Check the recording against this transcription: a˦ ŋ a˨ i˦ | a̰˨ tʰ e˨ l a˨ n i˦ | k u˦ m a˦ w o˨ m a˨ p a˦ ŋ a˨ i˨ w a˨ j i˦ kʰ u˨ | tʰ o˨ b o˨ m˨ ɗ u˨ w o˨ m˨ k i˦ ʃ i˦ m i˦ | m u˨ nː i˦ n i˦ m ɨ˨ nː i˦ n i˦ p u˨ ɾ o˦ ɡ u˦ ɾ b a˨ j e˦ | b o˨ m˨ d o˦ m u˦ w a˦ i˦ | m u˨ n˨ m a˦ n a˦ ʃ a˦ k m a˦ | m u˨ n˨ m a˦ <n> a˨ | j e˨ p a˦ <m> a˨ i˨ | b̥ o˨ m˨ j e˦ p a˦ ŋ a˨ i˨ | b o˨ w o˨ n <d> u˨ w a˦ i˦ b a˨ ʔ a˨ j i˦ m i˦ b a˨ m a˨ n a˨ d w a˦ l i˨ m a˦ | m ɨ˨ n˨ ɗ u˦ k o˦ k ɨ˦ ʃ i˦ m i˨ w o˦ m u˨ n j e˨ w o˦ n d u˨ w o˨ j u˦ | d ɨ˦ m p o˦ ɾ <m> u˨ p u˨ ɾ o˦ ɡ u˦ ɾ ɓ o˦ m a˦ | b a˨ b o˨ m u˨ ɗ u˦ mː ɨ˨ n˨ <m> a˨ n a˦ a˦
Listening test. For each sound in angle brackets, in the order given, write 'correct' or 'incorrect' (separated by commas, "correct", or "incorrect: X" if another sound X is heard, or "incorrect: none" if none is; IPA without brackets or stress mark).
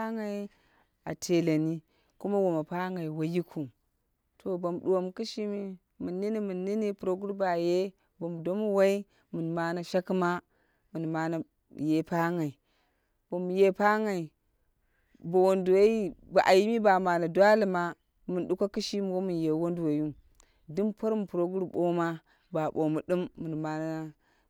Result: correct, incorrect: ŋ, correct, correct, correct